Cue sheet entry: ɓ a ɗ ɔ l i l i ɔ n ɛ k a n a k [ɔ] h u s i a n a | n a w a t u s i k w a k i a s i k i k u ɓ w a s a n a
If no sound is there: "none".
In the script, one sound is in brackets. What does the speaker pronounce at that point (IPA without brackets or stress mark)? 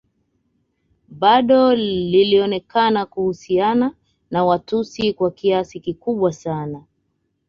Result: u